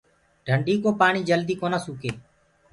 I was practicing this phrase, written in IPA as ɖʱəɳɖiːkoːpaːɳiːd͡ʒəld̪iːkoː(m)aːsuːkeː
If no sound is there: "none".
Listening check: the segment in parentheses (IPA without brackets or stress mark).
n